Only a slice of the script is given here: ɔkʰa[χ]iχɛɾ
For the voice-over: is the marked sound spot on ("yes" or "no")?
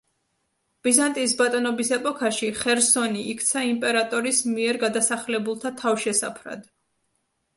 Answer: no